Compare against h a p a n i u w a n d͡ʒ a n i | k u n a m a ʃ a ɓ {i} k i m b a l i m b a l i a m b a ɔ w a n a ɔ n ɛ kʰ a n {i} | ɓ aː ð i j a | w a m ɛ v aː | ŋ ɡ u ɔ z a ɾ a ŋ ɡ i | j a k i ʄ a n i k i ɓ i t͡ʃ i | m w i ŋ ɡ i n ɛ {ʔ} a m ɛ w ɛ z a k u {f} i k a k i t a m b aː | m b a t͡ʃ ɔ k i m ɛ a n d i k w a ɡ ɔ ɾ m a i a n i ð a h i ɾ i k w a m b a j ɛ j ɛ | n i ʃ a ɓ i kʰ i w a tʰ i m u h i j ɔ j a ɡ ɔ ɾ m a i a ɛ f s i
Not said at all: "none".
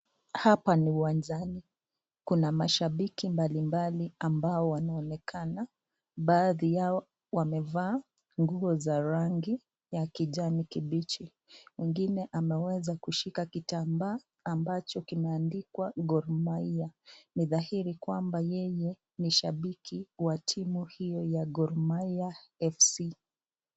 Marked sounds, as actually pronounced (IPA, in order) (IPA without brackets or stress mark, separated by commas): i, a, ʔ, ʃ